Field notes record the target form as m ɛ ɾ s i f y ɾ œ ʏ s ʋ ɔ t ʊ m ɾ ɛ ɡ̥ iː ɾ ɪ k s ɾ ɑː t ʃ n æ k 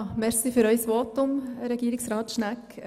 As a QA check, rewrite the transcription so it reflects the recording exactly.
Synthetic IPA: m ɛ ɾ s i f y ɾ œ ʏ s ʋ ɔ t ʊ m ɾ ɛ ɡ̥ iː ɾ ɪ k s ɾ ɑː t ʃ n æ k